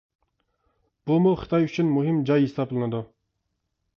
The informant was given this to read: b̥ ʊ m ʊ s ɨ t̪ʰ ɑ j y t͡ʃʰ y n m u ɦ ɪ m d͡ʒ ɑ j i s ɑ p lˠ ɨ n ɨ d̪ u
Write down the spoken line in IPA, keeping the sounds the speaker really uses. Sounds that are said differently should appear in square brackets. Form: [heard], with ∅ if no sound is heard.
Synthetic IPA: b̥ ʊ m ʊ [χ] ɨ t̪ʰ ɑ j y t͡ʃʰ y n m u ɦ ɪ m d͡ʒ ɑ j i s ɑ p lˠ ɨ n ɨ d̪ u